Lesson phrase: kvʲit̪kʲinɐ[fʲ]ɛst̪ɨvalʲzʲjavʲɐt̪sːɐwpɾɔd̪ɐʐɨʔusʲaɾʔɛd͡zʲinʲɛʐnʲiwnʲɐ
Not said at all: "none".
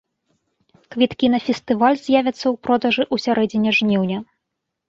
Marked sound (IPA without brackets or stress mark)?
fʲ